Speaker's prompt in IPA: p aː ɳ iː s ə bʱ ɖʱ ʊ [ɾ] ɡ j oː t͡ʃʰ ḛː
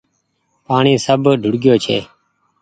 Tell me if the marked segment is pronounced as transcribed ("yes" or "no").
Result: no